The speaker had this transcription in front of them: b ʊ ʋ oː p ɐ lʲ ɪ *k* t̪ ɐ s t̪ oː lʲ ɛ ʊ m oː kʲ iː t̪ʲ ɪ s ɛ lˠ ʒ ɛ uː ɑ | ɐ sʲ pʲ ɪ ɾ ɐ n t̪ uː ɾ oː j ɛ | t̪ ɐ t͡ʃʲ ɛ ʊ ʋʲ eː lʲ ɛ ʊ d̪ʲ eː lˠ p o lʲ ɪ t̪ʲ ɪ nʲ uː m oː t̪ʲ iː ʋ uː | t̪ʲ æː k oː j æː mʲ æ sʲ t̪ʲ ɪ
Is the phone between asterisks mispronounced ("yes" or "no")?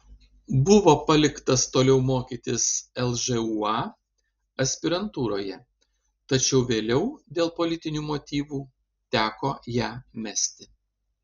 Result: no